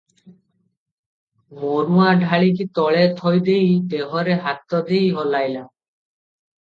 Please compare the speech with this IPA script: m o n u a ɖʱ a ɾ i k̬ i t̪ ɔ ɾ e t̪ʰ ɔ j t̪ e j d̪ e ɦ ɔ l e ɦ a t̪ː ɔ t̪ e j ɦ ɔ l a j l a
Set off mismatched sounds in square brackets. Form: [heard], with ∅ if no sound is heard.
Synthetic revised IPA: m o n u a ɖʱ a [ɭ] i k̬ i t̪ ɔ [ɭ] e t̪ʰ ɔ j [d̪] e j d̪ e ɦ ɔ [ɾ] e ɦ a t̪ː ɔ [d̪] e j ɦ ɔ l a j l a